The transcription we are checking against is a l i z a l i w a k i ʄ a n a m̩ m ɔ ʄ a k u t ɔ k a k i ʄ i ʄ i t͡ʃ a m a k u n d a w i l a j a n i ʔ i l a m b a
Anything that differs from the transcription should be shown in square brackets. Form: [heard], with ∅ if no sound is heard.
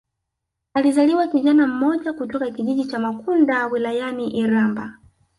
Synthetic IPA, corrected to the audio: a l i z a l i w a k i ʄ a n a m̩ m ɔ ʄ a k u t ɔ k a k i ʄ i ʄ i t͡ʃ a m a k u n d a w i l a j a n i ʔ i [ɾ] a m b a